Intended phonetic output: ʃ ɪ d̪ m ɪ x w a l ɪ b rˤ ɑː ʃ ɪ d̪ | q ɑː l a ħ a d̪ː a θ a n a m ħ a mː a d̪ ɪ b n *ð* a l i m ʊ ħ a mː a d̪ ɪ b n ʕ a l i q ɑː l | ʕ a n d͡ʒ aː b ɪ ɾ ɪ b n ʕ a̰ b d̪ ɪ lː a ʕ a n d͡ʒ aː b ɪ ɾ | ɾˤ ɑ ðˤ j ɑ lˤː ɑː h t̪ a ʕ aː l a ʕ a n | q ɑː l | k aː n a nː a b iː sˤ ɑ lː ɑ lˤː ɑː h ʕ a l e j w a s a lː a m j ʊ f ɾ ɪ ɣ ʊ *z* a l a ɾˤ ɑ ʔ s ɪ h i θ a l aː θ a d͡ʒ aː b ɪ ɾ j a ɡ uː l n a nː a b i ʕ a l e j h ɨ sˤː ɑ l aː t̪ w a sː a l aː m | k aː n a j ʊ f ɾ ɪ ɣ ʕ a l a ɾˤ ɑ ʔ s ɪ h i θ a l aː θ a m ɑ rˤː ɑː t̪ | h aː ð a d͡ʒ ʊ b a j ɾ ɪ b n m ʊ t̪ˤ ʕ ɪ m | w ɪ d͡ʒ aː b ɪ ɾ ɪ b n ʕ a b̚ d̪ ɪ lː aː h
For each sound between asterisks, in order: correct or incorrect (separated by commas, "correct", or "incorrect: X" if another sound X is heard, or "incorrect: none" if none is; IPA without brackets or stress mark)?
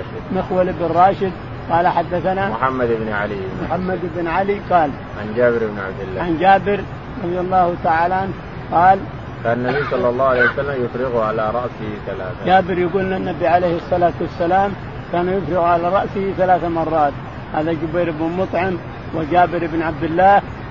incorrect: ʕ, incorrect: ʕ